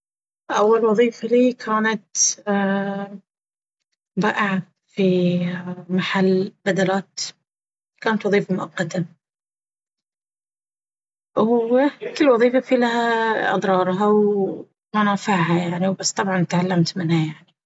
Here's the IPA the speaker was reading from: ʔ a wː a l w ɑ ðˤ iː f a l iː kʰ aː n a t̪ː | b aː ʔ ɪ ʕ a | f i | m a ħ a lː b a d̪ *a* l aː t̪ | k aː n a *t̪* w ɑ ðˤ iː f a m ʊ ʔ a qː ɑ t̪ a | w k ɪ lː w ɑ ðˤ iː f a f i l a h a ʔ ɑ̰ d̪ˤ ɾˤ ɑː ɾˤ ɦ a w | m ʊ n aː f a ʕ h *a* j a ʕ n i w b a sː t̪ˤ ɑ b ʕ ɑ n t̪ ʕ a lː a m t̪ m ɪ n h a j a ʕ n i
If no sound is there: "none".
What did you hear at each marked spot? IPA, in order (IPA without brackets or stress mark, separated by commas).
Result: a, t̪, a